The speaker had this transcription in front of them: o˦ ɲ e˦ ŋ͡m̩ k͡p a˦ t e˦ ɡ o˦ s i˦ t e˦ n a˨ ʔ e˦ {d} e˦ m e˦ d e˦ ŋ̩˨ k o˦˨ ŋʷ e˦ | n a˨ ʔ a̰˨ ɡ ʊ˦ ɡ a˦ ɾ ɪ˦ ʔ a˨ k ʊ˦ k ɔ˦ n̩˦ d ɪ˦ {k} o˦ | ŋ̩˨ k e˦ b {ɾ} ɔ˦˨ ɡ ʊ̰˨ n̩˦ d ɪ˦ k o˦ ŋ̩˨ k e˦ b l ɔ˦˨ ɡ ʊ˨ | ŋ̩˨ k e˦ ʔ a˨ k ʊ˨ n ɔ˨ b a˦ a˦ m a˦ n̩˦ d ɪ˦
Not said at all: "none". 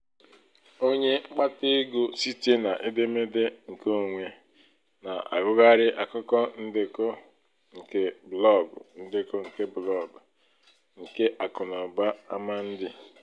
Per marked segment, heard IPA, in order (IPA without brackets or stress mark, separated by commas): d, k, l